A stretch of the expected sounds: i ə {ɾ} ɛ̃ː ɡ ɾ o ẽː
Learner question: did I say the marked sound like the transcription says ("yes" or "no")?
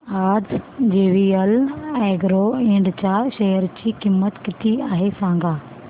no